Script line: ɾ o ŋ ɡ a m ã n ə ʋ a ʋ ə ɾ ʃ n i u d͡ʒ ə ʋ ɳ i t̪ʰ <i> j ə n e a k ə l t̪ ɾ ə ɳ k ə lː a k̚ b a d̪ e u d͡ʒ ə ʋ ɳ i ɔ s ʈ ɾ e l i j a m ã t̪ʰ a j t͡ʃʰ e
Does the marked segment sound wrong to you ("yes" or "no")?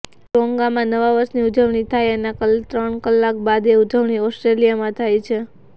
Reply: yes